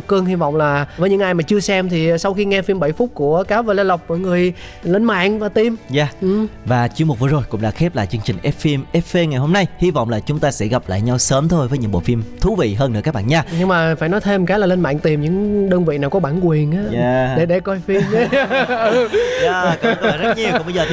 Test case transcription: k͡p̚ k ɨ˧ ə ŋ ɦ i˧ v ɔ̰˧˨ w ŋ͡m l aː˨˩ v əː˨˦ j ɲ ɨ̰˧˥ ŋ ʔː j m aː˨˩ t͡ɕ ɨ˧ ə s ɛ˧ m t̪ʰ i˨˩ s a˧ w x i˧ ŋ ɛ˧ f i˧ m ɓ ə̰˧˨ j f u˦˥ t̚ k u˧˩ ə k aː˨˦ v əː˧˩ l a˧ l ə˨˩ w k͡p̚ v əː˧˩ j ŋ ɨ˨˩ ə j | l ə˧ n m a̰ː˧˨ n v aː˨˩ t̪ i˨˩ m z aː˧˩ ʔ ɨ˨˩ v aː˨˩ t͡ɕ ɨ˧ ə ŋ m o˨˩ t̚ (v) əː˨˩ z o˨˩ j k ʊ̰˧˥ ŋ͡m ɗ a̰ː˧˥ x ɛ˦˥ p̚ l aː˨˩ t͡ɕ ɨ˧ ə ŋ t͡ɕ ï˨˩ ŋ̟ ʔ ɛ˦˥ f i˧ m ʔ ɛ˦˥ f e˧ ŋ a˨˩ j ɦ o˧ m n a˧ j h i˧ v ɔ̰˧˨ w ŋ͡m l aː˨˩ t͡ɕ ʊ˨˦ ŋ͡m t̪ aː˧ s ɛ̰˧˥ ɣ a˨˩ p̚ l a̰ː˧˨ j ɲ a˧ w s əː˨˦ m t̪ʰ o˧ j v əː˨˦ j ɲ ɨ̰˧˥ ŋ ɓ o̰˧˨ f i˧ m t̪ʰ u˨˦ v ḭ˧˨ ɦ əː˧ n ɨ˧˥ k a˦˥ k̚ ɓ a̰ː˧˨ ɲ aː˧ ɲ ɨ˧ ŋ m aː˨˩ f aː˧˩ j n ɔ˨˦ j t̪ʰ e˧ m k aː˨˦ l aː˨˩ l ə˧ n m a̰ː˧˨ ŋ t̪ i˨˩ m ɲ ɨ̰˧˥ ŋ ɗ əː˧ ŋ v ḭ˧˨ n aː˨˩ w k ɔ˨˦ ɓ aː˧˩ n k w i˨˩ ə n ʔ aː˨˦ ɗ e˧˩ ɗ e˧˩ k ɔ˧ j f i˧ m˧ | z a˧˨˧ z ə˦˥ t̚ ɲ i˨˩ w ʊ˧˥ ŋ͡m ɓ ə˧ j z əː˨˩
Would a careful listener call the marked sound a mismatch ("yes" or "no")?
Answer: no